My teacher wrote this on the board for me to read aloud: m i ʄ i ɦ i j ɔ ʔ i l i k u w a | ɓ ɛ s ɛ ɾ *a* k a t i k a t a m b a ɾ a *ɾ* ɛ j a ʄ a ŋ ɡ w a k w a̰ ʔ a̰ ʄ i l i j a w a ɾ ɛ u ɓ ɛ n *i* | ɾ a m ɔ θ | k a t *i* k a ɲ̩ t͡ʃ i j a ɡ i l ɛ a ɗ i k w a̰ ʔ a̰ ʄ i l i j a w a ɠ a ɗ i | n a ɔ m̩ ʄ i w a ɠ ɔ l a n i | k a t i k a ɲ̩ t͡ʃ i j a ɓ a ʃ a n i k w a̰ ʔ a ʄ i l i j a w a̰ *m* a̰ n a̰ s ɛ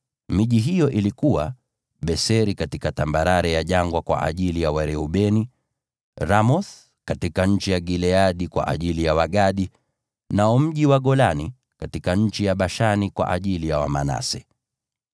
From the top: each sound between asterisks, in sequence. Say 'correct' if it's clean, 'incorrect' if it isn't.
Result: incorrect, correct, correct, correct, correct

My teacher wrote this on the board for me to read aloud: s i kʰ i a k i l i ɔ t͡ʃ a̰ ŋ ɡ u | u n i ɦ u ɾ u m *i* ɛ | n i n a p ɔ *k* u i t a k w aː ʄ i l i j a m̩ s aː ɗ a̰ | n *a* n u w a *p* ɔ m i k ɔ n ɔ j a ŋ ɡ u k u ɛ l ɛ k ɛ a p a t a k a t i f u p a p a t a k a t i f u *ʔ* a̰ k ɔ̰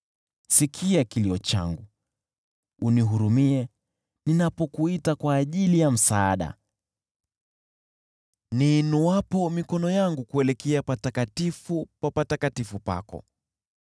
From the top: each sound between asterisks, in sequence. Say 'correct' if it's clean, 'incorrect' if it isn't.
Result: correct, correct, incorrect, correct, incorrect

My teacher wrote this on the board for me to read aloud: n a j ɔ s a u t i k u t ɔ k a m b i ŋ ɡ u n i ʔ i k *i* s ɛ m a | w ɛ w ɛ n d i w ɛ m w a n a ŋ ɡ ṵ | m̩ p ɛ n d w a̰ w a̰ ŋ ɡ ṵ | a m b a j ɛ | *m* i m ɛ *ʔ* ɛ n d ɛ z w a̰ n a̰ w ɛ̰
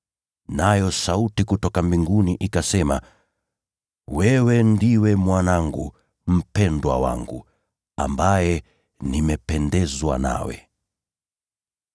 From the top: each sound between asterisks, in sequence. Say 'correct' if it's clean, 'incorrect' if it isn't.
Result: incorrect, incorrect, incorrect

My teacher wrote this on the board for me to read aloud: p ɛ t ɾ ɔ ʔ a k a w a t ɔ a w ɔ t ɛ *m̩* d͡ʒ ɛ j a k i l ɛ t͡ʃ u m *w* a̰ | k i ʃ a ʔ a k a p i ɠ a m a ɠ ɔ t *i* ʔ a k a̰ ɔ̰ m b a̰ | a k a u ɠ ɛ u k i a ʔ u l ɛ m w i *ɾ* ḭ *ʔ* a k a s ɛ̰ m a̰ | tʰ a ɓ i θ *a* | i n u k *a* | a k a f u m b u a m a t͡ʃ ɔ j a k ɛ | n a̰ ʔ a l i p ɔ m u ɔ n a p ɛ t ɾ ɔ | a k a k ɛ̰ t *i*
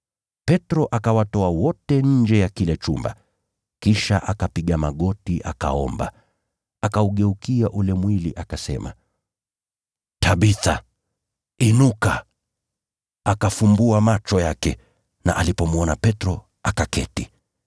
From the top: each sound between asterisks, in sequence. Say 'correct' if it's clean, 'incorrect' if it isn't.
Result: incorrect, incorrect, correct, incorrect, correct, correct, correct, correct

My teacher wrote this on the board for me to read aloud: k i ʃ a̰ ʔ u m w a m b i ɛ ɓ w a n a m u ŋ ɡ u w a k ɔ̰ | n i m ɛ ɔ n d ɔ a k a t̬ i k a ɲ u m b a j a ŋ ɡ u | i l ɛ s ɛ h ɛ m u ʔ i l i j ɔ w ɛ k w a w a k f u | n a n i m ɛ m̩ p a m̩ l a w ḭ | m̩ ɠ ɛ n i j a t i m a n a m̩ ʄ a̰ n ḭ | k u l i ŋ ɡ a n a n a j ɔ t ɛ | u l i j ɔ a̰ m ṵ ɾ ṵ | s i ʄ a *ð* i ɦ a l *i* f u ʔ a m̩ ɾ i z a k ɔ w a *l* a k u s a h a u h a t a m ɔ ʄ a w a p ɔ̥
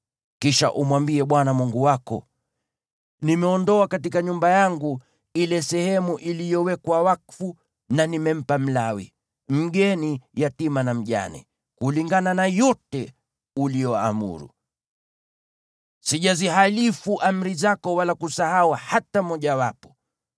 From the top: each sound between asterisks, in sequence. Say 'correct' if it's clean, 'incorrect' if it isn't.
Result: incorrect, correct, correct

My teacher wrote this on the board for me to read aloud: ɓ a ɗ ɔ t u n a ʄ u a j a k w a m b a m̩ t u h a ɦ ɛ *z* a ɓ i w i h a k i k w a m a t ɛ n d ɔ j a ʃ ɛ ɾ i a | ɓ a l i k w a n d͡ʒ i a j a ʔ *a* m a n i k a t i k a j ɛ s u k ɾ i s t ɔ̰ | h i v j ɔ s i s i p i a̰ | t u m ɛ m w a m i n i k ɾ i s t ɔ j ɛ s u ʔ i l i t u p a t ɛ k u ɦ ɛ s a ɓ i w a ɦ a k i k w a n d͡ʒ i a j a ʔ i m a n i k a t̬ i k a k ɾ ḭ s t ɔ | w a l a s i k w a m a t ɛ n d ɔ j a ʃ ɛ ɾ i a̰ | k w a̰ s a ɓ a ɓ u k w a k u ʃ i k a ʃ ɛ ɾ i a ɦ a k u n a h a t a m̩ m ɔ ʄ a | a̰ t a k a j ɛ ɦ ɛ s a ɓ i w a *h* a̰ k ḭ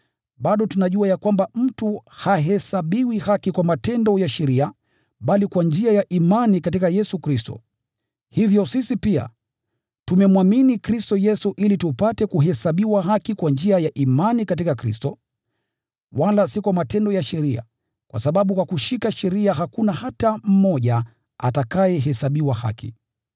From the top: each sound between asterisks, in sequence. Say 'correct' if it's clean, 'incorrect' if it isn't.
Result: incorrect, incorrect, correct

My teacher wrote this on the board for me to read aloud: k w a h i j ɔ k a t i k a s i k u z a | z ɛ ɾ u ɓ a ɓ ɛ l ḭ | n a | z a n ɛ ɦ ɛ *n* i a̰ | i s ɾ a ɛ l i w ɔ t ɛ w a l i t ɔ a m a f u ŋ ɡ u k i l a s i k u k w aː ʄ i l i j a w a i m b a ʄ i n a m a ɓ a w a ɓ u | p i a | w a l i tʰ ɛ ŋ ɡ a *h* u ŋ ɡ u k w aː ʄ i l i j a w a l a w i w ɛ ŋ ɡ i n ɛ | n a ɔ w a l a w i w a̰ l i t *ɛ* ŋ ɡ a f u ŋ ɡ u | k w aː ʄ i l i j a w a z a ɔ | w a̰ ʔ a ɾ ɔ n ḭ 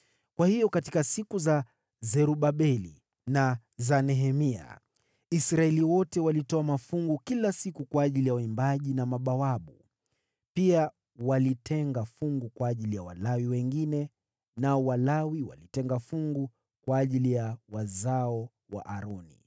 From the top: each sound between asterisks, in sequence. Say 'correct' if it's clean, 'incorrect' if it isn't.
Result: incorrect, incorrect, correct

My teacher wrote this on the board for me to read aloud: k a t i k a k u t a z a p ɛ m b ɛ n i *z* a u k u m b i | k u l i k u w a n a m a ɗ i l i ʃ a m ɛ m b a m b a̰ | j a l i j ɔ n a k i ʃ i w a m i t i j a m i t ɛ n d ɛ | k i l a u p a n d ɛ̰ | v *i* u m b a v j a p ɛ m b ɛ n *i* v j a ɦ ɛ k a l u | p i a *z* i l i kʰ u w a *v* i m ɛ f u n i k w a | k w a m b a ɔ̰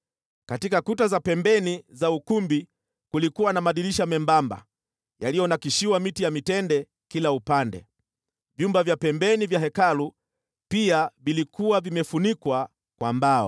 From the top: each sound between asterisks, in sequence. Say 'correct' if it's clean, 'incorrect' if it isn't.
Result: correct, incorrect, correct, incorrect, correct

